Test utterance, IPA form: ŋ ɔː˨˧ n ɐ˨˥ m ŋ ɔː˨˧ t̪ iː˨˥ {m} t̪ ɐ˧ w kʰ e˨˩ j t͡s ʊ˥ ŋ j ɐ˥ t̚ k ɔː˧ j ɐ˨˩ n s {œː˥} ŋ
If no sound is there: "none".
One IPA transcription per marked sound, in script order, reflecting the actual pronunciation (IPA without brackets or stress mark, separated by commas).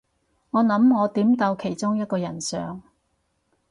m, œː˨